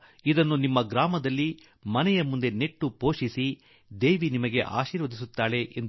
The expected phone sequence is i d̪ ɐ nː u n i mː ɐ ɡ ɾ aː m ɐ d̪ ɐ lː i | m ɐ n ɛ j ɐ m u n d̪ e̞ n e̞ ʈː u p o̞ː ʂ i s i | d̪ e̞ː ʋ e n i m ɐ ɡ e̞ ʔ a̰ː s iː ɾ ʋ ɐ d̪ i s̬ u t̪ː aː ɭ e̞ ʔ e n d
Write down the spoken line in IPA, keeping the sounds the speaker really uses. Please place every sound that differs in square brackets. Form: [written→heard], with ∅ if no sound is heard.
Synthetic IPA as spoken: i d̪ ɐ nː u n i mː ɐ ɡ ɾ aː m ɐ d̪ ɐ lː i | m ɐ n ɛ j ɐ m u n d̪ e̞ n e̞ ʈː u p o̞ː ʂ i s i | d̪ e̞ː ʋ [e→i] n i m ɐ ɡ e̞ ʔ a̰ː [s→ʃ] iː ɾ ʋ ɐ d̪ i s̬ u t̪ː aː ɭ e̞ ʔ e n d